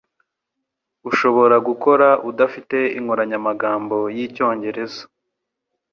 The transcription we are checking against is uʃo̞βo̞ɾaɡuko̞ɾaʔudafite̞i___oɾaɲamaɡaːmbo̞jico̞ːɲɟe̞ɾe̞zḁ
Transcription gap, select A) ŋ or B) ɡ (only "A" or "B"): A